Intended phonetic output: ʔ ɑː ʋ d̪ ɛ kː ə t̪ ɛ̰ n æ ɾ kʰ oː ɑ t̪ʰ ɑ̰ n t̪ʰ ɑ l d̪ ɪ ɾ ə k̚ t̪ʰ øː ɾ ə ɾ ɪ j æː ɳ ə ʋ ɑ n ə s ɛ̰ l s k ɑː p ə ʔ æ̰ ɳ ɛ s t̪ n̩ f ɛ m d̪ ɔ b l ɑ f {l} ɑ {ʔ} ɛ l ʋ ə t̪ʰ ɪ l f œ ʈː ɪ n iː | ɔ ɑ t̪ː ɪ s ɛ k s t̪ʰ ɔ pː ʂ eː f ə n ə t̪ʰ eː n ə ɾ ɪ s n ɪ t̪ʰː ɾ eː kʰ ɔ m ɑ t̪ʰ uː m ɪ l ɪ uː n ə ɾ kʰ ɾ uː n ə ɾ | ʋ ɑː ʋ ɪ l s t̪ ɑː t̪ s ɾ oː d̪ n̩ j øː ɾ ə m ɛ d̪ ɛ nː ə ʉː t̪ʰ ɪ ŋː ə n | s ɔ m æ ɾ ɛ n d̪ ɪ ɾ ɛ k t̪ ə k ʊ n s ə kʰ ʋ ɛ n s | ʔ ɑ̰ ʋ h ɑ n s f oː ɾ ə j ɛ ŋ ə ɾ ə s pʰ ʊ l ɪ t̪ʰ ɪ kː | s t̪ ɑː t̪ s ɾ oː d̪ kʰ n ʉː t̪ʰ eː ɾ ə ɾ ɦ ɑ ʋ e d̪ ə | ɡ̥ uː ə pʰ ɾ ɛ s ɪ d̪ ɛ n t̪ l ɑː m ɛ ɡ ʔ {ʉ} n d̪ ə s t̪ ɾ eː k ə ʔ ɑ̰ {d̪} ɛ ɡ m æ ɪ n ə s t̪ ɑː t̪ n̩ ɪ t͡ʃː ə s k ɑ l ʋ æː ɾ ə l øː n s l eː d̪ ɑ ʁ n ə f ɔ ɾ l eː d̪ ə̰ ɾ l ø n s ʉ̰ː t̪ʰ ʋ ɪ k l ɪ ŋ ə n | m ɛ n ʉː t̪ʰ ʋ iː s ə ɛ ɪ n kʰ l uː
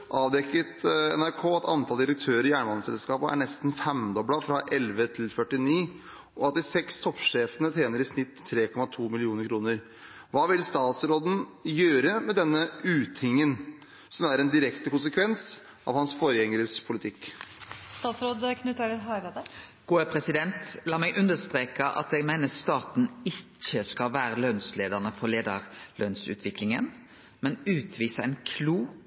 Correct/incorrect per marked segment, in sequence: incorrect: ɾ, correct, correct, incorrect: t̪

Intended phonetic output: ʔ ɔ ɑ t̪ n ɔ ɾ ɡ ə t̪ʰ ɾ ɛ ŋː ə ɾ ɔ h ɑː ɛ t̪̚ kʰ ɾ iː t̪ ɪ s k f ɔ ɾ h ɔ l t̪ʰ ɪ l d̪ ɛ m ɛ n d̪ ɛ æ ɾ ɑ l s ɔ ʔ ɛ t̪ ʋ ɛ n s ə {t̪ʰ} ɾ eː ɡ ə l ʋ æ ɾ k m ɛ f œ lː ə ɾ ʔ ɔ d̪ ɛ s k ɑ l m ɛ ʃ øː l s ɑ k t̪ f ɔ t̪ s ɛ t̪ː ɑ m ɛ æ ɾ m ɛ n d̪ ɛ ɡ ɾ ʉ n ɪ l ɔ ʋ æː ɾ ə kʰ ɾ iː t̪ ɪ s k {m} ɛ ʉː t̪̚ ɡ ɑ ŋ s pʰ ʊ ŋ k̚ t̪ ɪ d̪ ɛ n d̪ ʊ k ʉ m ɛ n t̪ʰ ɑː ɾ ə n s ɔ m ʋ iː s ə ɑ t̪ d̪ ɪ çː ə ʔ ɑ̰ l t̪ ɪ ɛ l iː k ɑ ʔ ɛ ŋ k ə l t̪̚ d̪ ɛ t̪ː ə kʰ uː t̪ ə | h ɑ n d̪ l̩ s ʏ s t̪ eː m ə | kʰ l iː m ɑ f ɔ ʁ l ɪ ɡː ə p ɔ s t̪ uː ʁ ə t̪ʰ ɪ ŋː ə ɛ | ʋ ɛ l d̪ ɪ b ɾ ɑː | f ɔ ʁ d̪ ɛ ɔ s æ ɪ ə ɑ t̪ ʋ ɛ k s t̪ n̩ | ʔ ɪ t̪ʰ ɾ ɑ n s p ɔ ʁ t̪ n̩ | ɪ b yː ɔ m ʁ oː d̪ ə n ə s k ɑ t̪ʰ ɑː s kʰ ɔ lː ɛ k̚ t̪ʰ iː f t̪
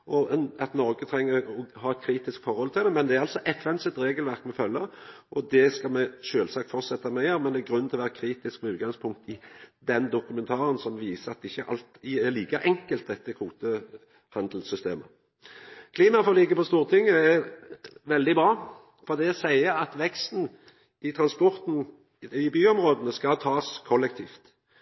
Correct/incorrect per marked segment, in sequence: incorrect: t̪, correct

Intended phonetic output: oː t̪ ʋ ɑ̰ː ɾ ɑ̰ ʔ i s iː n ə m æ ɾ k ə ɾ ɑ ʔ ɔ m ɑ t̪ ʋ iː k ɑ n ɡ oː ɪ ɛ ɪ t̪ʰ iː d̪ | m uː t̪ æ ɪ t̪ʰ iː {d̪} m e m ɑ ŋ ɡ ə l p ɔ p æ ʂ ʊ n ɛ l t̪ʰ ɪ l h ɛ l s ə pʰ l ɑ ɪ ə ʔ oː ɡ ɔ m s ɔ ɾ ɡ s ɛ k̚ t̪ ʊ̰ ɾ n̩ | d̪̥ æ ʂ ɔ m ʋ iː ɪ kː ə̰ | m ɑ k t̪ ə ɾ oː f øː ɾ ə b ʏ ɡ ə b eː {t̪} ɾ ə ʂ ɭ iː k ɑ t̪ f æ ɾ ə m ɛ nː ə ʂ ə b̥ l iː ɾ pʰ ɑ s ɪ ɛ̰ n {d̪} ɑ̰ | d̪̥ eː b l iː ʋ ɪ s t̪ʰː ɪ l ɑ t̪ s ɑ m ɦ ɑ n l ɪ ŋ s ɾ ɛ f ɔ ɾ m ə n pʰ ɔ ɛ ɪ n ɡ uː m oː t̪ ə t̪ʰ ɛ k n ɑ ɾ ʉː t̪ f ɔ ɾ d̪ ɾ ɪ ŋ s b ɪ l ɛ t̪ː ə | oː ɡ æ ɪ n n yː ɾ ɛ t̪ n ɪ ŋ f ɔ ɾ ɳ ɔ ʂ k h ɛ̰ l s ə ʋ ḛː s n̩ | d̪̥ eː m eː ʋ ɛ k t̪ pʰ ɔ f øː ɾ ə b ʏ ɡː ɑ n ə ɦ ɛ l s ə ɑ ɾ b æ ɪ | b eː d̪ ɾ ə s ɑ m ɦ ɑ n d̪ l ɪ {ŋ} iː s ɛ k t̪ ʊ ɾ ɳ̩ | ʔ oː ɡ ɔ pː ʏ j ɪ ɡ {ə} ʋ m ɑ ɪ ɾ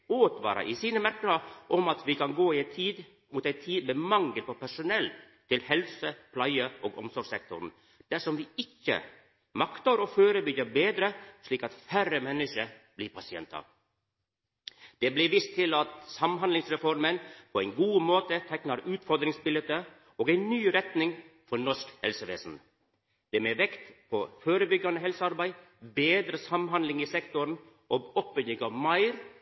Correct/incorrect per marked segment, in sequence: correct, incorrect: d̪, incorrect: t̪, correct, incorrect: ɑ

